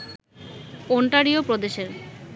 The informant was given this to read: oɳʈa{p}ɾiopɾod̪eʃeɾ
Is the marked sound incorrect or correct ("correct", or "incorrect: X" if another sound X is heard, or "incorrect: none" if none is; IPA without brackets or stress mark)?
incorrect: none